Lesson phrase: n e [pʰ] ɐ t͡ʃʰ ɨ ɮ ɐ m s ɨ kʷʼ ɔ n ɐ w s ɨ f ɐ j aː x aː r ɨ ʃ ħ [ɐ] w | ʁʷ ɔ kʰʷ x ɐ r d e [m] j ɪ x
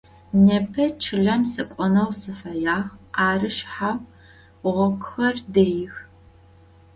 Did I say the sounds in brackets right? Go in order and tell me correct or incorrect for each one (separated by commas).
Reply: correct, incorrect, incorrect